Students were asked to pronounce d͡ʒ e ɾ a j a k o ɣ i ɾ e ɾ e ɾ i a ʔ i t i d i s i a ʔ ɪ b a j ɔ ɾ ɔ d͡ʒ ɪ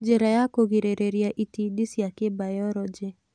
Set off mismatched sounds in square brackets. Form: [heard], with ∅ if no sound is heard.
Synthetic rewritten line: d͡ʒ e ɾ a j a k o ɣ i ɾ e ɾ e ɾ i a ʔ i t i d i s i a [k] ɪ b a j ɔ ɾ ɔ d͡ʒ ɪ